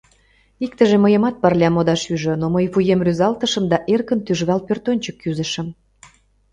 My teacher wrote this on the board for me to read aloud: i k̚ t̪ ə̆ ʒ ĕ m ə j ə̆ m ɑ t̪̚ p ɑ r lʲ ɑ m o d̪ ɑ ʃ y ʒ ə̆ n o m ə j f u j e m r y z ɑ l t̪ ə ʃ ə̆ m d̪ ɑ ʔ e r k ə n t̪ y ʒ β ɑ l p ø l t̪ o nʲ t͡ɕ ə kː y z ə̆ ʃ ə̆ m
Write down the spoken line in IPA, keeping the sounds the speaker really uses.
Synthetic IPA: i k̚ t̪ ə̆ ʒ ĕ m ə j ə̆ m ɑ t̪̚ p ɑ r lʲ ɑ m o d̪ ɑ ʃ y ʒ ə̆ n o m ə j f u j e m r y z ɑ l t̪ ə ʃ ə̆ m d̪ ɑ ʔ e r k ə n t̪ y ʒ β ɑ l p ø r t̪ o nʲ t͡ɕ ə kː y z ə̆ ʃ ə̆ m